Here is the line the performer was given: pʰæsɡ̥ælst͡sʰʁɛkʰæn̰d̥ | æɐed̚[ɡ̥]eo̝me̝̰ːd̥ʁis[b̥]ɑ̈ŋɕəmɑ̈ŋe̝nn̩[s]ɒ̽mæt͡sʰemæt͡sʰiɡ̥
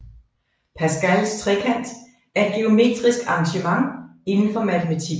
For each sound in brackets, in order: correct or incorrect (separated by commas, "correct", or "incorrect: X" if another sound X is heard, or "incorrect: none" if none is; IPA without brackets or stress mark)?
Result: correct, incorrect: ɡ̥, incorrect: f